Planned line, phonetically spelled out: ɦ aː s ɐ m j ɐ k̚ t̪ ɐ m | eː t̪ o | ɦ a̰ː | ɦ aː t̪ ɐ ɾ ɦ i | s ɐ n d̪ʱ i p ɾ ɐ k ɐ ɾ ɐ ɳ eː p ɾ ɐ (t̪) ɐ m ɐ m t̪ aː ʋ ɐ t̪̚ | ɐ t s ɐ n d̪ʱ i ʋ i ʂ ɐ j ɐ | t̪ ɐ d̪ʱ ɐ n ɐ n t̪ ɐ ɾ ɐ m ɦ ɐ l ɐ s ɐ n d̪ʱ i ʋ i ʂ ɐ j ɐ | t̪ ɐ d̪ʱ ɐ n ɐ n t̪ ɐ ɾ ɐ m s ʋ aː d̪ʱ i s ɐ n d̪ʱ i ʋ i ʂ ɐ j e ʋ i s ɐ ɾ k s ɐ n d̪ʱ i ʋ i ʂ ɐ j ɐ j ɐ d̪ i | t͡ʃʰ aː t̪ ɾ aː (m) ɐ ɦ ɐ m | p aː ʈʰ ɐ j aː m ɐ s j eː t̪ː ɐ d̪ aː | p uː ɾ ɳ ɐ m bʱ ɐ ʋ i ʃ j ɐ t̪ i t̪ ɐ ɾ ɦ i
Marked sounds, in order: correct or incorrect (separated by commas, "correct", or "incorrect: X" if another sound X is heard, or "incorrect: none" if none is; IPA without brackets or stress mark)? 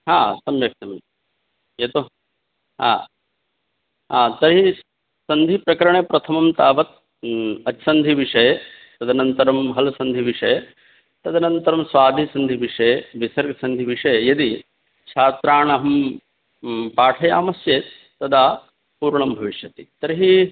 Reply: incorrect: t̪ʰ, incorrect: ɳ